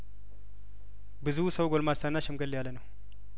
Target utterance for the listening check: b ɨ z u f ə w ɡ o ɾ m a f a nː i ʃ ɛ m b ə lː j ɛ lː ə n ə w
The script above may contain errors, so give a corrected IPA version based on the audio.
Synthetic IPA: b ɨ z u s ə w ɡ o l m a s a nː a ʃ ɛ m ɡ ə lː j a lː ə n ə w